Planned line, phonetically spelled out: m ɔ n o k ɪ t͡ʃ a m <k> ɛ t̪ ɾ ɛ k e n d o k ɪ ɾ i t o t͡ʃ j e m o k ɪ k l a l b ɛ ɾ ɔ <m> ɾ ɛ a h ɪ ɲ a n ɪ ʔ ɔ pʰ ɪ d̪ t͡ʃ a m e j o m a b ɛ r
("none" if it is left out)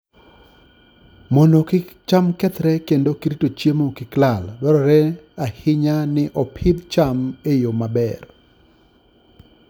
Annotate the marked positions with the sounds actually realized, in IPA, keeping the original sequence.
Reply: k, none

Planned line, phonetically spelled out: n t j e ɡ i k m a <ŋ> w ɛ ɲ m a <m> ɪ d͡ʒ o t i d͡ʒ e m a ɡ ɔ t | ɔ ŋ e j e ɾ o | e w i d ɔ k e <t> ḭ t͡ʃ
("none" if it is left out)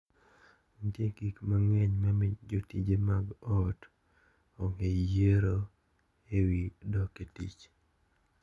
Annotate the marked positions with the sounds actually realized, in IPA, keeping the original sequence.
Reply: ŋ, m, t

